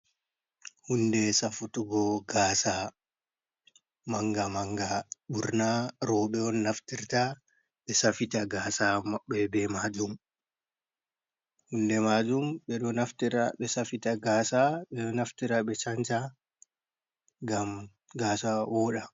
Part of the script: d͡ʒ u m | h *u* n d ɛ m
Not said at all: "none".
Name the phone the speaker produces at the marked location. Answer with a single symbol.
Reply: u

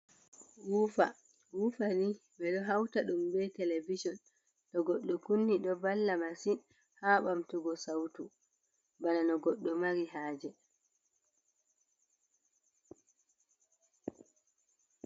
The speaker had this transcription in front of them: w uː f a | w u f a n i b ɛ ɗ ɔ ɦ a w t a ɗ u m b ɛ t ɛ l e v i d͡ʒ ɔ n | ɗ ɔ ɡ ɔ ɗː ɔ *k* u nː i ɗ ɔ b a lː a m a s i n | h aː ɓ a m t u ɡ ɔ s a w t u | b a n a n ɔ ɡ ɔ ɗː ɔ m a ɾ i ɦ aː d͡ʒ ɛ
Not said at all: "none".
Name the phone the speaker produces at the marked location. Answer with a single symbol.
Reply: k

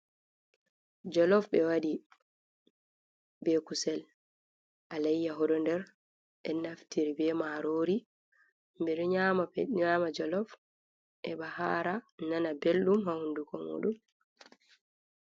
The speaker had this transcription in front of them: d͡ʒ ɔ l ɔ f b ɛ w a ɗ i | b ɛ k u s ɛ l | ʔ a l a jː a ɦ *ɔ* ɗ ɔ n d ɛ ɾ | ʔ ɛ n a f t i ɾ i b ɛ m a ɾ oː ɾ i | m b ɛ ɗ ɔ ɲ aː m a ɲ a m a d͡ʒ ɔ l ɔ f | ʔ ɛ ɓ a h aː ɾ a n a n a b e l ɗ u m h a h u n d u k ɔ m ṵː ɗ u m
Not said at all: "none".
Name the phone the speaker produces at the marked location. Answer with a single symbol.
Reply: ɔ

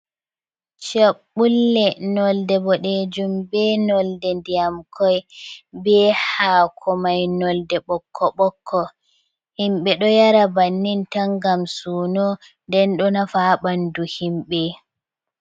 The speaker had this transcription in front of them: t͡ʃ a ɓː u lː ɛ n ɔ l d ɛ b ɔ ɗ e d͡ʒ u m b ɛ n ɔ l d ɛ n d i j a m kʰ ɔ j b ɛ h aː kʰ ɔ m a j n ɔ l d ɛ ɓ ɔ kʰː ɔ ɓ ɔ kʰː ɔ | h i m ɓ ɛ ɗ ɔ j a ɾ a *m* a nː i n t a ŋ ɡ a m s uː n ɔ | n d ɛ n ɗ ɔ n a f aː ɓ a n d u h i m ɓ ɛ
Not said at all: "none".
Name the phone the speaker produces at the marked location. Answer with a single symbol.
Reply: b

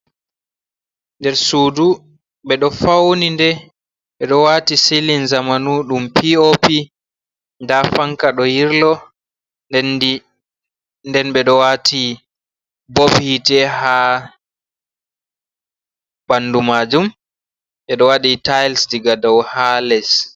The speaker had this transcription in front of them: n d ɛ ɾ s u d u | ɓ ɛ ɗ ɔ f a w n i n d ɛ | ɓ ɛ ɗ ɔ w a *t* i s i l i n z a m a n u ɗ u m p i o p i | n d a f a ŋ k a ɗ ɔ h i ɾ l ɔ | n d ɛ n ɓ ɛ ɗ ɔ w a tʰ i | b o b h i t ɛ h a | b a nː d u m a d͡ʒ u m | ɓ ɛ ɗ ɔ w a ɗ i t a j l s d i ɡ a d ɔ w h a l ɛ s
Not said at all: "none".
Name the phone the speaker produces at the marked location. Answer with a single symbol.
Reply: t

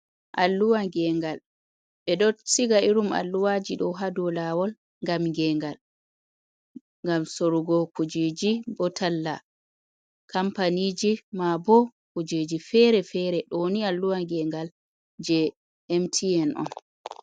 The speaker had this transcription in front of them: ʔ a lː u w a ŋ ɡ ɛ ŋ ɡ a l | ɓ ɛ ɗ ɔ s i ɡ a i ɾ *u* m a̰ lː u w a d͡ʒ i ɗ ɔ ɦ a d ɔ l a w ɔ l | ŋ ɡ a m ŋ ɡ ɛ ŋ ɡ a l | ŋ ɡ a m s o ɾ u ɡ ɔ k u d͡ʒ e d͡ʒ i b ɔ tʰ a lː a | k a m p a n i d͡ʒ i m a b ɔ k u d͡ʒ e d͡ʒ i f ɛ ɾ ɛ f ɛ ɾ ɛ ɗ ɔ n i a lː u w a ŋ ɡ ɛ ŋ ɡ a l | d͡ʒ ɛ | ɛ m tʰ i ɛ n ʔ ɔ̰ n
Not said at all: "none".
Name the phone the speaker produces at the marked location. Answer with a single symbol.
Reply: u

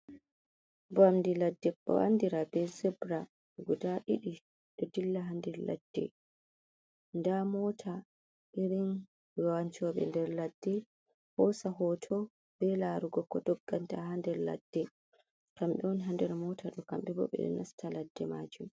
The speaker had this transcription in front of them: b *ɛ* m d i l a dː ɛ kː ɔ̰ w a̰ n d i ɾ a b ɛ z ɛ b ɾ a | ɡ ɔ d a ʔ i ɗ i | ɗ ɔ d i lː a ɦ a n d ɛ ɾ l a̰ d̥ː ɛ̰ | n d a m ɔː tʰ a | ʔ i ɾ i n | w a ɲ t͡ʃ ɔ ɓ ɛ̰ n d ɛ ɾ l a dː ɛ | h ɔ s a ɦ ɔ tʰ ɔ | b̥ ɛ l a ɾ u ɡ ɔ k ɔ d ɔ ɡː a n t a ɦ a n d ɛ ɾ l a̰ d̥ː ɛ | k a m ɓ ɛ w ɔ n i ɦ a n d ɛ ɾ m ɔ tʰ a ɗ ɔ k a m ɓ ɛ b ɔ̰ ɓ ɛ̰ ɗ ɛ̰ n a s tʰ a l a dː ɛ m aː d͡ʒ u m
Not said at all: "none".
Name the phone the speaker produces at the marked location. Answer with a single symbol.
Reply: a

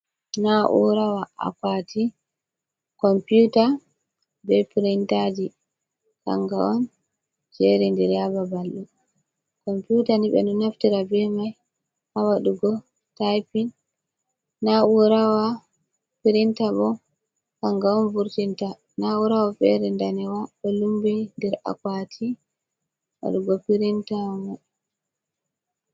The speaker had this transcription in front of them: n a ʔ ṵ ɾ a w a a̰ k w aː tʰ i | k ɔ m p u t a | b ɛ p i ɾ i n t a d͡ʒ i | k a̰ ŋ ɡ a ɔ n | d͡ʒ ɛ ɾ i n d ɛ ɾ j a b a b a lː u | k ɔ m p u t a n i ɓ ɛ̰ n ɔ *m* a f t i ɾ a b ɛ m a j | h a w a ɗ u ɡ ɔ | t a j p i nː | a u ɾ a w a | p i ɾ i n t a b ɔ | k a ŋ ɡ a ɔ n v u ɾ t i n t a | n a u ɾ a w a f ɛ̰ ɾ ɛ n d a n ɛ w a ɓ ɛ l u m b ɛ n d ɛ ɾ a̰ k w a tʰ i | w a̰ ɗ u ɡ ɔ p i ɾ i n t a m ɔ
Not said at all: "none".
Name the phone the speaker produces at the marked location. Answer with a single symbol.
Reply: n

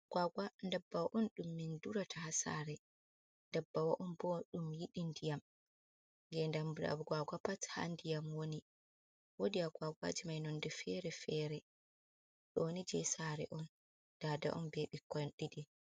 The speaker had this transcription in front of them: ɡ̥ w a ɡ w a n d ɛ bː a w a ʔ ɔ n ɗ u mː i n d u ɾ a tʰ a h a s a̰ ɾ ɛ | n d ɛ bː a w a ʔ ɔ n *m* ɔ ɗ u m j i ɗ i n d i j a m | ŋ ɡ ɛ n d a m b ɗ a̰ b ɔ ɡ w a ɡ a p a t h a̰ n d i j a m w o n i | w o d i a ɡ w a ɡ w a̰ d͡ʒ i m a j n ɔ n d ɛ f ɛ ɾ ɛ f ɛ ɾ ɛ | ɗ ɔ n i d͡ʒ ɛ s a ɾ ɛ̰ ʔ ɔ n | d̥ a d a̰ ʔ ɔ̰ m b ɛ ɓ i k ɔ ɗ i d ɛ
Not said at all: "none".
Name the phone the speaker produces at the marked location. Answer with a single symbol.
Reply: b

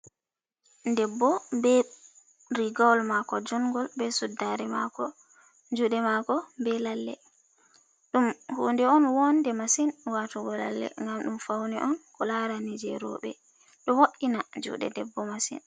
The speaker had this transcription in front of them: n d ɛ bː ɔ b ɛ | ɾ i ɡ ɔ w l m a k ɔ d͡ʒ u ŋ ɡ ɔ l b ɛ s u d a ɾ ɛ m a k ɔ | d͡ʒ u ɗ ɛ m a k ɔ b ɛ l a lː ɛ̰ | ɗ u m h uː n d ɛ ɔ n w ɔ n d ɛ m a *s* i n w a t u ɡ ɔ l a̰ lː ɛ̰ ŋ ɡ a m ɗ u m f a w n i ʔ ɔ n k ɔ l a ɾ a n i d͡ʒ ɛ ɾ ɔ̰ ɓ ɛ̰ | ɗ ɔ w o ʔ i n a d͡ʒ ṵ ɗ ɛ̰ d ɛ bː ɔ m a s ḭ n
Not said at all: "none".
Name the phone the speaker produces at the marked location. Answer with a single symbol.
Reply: s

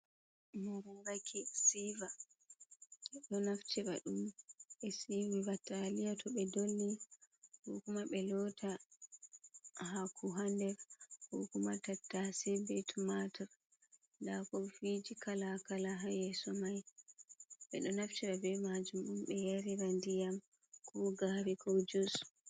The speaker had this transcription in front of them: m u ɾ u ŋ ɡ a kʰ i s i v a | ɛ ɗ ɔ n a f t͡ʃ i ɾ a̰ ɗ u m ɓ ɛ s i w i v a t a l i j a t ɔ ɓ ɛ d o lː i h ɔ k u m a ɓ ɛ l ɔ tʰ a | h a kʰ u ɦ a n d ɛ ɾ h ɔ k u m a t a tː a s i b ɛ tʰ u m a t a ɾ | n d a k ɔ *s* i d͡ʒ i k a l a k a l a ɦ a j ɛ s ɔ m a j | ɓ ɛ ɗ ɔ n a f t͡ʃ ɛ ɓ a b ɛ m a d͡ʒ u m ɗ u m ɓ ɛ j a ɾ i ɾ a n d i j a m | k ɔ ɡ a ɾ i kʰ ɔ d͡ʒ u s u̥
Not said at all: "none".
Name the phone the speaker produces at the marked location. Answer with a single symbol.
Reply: f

